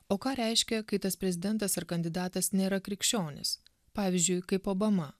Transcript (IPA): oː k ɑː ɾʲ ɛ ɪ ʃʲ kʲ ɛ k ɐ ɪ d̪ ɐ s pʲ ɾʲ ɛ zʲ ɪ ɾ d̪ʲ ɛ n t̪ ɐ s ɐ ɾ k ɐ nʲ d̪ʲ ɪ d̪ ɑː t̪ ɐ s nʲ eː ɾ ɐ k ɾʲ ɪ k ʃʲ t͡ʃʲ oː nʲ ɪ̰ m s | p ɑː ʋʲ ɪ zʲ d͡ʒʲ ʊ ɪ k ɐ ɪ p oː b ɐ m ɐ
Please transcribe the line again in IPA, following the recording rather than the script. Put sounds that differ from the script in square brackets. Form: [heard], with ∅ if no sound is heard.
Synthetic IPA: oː k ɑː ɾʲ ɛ ɪ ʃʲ kʲ ɛ k ɐ ɪ [t̪] ɐ s pʲ ɾʲ ɛ zʲ ɪ [∅] d̪ʲ ɛ n t̪ ɐ s ɐ ɾ k ɐ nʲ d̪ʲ ɪ d̪ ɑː t̪ ɐ s nʲ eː ɾ ɐ k ɾʲ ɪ k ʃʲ t͡ʃʲ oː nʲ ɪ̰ [∅] s | p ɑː ʋʲ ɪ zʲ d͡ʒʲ ʊ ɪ k ɐ ɪ p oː b ɐ m ɐ